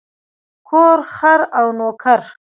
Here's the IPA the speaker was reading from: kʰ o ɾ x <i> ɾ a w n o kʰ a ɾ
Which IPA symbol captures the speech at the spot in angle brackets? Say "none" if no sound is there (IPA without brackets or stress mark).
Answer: a